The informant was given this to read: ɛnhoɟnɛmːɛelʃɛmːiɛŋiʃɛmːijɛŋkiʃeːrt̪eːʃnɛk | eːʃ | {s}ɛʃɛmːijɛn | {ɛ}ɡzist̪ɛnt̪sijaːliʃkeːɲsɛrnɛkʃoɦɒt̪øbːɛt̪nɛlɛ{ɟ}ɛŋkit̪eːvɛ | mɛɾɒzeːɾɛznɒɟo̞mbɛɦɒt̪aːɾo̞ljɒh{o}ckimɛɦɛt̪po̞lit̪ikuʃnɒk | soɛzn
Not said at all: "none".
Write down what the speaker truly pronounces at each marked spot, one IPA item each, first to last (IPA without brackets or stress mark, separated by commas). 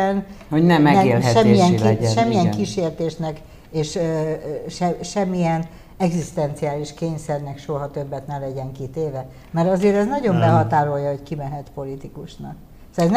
ʃ, ɛ, ɟ, o